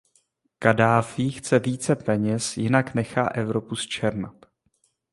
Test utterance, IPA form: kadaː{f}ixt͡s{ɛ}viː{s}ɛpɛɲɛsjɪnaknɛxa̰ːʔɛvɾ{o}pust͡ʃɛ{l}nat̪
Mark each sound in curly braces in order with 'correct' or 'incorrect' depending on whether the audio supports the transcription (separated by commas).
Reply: correct, correct, incorrect, correct, incorrect